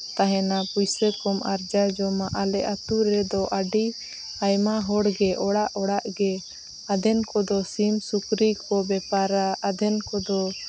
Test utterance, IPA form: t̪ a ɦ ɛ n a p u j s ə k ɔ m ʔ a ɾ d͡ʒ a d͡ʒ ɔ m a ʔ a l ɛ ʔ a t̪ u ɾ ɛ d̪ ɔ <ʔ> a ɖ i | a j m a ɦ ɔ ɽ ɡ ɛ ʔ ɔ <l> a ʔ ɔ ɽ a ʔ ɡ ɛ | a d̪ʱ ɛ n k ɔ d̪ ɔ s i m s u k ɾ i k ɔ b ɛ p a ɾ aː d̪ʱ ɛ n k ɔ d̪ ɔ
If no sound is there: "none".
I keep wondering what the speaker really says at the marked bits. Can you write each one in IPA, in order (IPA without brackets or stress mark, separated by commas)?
ʔ, ɽ